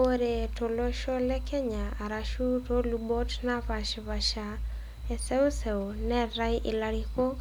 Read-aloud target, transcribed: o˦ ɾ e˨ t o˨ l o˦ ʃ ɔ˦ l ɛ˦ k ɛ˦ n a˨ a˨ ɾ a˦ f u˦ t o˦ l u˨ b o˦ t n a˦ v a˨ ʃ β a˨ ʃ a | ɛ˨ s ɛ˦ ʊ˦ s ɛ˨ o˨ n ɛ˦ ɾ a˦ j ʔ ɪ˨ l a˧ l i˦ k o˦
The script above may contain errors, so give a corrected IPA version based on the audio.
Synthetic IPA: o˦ ɾ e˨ t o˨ l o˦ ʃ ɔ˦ l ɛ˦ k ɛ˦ ɲ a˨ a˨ ɾ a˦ ʃ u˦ t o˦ l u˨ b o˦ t n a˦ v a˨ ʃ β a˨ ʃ a | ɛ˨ s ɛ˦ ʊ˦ s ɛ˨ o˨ n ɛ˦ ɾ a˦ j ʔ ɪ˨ l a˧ ɾ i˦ k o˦